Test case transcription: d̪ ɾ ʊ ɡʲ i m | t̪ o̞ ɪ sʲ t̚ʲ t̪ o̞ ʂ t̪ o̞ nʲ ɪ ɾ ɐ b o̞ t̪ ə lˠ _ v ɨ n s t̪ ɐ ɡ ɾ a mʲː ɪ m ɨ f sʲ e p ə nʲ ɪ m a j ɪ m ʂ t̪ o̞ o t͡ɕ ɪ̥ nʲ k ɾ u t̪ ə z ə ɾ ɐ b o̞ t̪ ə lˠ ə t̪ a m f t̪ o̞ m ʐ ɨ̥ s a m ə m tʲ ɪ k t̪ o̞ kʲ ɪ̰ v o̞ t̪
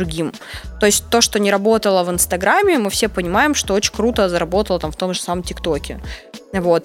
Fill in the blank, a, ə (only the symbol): ə